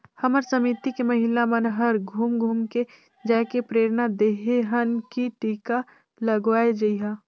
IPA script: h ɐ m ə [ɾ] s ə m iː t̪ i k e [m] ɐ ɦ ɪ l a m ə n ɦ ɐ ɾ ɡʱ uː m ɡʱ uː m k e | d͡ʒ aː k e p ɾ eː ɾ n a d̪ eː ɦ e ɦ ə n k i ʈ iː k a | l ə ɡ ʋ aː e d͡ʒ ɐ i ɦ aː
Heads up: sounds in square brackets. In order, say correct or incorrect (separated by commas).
correct, correct